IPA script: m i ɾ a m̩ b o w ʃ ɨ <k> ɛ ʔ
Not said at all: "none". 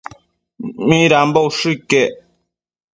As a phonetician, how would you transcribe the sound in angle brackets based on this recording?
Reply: k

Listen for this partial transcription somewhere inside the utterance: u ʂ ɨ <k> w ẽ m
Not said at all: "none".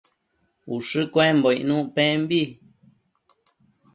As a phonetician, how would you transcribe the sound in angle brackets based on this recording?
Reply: k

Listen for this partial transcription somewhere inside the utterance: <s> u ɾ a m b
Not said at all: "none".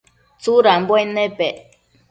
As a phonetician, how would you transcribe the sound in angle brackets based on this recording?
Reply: t͡s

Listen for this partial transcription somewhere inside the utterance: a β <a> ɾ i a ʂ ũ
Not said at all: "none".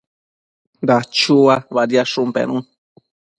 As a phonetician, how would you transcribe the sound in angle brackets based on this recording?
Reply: a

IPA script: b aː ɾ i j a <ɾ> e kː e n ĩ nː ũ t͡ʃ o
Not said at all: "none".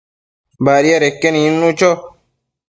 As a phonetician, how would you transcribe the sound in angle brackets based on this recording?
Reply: ɾ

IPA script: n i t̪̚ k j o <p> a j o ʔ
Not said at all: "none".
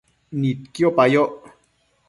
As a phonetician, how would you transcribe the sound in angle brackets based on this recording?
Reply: p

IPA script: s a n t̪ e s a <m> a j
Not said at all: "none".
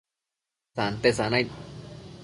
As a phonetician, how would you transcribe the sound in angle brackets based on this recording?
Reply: n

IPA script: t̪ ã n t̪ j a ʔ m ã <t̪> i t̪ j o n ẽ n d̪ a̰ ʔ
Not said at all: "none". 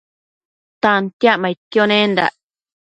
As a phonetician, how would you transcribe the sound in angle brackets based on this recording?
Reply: none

